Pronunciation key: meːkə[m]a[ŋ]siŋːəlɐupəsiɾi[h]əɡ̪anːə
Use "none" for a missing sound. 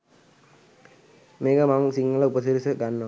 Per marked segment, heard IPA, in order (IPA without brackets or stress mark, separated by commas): m, ŋ, s